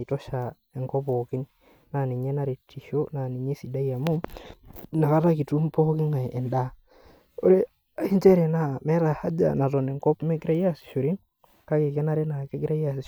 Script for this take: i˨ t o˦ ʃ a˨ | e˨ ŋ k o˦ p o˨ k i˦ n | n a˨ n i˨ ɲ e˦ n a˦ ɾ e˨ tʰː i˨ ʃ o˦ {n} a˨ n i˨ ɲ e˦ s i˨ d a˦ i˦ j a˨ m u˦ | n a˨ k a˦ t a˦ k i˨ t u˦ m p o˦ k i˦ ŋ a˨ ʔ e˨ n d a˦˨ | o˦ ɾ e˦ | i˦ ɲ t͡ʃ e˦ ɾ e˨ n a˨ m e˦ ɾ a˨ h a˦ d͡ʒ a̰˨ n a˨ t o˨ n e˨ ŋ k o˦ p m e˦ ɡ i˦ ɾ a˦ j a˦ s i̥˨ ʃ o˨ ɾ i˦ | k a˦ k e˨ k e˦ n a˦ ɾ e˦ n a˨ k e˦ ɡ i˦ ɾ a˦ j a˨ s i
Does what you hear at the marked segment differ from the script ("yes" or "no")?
no